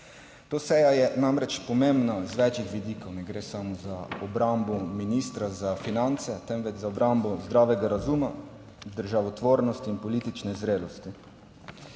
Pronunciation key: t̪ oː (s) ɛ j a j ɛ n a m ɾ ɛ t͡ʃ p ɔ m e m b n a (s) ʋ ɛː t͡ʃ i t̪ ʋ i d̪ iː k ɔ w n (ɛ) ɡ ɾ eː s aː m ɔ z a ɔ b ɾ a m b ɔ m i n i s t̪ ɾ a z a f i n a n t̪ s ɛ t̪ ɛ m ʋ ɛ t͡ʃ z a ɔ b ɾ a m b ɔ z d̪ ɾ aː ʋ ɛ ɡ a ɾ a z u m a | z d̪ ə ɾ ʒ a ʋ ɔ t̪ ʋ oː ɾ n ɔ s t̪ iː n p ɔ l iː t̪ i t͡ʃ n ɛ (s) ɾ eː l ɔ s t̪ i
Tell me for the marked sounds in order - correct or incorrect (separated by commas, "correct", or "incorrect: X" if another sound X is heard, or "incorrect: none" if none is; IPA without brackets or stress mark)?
correct, incorrect: z, correct, incorrect: z